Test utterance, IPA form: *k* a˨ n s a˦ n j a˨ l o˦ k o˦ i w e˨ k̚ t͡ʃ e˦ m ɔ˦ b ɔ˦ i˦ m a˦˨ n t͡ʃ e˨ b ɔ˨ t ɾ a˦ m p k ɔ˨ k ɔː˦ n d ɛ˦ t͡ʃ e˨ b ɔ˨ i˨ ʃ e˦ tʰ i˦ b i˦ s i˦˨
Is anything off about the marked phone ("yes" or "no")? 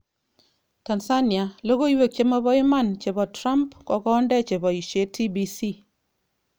yes